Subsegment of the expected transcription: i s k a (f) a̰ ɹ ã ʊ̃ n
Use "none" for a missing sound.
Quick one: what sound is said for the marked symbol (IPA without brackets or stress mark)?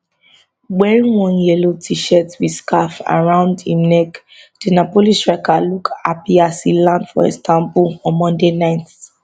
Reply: f